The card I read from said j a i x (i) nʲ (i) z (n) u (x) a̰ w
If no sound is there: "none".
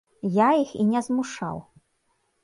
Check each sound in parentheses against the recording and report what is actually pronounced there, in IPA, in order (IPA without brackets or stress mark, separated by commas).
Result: i, ɛ, m, ʂ